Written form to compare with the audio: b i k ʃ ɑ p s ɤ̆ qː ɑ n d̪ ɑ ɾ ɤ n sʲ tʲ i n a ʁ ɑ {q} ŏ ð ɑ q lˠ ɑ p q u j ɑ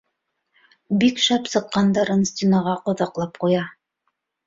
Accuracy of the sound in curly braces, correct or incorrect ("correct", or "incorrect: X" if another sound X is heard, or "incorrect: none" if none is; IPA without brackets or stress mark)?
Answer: correct